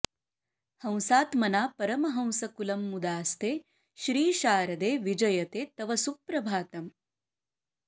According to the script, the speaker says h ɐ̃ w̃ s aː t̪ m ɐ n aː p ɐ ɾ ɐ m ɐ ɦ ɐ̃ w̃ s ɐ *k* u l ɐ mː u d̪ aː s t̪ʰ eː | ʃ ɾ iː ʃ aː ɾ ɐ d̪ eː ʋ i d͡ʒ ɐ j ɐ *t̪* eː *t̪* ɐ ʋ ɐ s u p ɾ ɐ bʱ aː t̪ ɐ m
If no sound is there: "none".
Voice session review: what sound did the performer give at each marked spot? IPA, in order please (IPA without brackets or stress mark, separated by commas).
k, t̪, t̪